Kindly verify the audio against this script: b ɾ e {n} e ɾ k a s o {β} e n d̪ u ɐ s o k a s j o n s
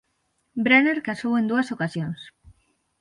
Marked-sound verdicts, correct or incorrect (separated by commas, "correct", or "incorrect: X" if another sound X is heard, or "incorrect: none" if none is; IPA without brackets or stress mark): correct, incorrect: w